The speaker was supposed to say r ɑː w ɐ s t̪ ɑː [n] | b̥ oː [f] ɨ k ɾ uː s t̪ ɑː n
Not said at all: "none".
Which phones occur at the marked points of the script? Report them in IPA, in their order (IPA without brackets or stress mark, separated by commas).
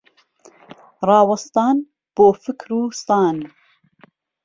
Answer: n, f